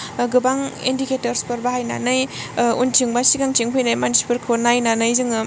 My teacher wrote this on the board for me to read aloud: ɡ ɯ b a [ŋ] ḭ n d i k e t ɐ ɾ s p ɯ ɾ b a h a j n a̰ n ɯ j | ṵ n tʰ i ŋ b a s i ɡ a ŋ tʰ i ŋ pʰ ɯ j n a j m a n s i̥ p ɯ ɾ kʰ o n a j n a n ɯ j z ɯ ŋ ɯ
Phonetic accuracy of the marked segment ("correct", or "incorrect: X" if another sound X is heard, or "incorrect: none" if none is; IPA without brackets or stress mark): correct